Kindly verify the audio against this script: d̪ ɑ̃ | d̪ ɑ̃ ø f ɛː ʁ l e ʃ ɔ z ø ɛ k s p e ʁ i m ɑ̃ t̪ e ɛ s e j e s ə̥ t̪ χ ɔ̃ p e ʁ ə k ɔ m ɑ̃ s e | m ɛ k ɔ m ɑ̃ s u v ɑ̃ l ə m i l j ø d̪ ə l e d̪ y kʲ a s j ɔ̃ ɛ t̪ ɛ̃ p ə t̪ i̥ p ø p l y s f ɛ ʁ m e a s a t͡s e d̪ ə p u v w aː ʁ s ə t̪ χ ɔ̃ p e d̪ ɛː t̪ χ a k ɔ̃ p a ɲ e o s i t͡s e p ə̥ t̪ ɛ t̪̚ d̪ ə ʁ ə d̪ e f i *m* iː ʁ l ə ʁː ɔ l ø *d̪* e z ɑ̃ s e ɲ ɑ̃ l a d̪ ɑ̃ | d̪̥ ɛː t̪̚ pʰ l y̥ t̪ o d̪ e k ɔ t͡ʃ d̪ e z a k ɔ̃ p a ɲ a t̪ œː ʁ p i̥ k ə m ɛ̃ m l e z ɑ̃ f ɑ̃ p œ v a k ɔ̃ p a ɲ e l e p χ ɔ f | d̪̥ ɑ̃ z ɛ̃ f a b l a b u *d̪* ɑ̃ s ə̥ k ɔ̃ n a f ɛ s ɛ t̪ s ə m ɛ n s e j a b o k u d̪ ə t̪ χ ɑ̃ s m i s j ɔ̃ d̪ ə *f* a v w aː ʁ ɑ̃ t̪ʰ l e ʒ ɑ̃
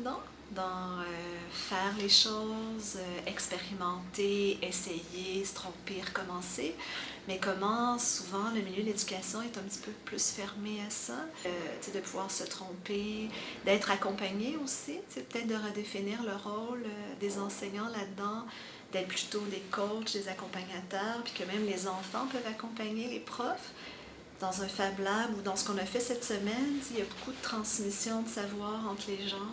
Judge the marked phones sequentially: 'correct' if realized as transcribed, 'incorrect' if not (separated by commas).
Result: incorrect, correct, correct, incorrect